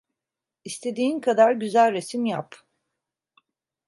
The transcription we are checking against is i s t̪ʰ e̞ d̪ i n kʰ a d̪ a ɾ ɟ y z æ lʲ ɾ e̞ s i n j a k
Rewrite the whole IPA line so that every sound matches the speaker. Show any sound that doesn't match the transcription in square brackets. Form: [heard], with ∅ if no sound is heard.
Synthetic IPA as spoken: i s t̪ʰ e̞ d̪ [iː] n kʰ a d̪ a ɾ ɟ y z æ lʲ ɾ e̞ s i [m] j a [p]

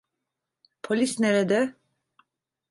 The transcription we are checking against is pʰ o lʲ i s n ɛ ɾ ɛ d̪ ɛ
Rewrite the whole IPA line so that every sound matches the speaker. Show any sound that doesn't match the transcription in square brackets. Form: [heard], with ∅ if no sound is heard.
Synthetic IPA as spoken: pʰ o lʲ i s n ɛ ɾ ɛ d̪ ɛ

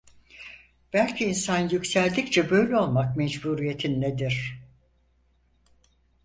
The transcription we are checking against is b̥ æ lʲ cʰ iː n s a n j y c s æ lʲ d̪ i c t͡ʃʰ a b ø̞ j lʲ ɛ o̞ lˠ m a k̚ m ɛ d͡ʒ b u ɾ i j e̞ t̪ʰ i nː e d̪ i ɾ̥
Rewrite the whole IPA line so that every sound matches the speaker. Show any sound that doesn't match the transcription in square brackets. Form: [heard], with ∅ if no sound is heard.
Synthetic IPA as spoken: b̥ æ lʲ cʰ iː n s a n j y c s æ lʲ d̪ i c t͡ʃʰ [ɛ] b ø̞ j lʲ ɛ o̞ lˠ m a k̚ m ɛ d͡ʒ b u ɾ i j e̞ t̪ʰ i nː e d̪ i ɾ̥

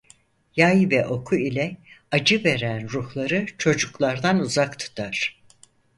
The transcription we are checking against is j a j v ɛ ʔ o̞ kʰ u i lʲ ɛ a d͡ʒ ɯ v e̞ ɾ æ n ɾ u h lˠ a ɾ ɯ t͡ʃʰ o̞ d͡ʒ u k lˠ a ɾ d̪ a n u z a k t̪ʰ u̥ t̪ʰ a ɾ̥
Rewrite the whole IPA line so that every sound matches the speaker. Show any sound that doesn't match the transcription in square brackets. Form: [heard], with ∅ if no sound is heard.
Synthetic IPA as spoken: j a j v ɛ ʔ o̞ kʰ u i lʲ ɛ a d͡ʒ ɯ v e̞ ɾ æ n ɾ u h lˠ a ɾ ɯ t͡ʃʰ o̞ d͡ʒ u k lˠ a ɾ d̪ a n u z a k t̪ʰ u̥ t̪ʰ a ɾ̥

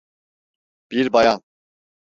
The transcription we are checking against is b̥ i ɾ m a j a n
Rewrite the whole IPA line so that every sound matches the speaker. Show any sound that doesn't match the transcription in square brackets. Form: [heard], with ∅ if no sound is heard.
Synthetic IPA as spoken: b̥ i ɾ [b] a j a n

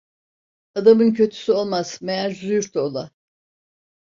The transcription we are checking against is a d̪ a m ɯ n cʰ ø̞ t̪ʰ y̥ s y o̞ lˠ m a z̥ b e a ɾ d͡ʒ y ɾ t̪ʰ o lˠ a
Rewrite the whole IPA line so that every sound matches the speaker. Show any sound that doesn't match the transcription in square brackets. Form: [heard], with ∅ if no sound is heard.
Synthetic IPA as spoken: a d̪ a m ɯ n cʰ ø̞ t̪ʰ y̥ s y o̞ lˠ m a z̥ [m] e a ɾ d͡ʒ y ɾ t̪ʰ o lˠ a

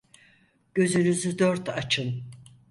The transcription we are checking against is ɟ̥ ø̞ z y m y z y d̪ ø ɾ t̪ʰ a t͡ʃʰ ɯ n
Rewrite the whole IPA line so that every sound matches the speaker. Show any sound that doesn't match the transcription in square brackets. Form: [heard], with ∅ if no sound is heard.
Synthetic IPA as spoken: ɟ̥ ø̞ z y [n] y z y d̪ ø ɾ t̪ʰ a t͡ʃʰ ɯ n

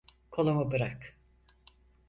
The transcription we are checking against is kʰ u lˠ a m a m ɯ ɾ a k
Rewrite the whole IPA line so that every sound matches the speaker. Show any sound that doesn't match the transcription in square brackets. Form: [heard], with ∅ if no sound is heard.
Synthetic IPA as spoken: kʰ [o] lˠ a m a [b] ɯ ɾ a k

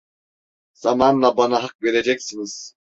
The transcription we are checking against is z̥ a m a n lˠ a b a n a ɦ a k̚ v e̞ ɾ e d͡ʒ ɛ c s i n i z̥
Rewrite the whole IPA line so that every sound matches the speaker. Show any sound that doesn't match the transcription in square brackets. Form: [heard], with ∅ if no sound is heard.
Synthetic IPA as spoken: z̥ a m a n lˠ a b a n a ɦ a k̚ v e̞ ɾ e d͡ʒ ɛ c s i n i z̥

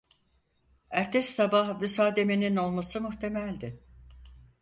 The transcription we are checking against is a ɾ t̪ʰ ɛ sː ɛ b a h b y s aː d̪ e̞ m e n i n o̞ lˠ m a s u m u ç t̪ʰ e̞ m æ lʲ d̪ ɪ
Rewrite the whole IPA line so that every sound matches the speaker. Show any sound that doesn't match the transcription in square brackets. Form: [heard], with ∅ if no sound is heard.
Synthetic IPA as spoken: [æ] ɾ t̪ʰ ɛ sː [a] b a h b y s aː d̪ e̞ m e n i n o̞ lˠ m a s [ɯ] m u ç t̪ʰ e̞ m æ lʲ d̪ ɪ

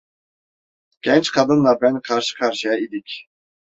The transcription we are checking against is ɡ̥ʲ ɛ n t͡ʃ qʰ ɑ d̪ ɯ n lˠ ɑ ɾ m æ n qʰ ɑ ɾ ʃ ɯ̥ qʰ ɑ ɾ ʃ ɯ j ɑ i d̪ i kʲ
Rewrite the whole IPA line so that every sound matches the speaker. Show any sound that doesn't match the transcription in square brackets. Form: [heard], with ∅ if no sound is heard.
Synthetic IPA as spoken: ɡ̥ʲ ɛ n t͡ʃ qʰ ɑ d̪ ɯ n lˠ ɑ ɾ [b] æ n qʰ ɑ ɾ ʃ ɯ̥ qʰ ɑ ɾ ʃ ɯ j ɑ i d̪ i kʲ

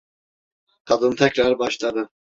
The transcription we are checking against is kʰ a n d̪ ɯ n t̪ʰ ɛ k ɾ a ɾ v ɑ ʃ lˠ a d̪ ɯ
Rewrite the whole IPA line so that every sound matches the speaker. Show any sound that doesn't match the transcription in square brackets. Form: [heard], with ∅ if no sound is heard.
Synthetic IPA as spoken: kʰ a [∅] d̪ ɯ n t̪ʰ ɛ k ɾ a ɾ [b] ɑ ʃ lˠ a d̪ ɯ

